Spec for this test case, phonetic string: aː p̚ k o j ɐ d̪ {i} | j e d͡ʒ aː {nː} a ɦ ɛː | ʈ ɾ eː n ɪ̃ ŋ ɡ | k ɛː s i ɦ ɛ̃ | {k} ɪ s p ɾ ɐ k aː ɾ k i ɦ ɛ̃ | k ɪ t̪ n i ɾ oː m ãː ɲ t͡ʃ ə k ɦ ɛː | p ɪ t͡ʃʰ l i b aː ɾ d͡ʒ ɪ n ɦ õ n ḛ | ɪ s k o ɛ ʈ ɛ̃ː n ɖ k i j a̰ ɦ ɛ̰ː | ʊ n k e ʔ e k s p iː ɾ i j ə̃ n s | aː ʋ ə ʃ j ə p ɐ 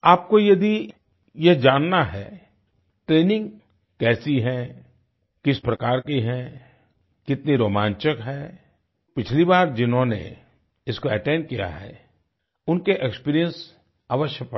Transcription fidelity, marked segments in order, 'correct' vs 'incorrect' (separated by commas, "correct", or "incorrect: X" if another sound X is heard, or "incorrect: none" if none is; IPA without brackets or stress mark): correct, correct, correct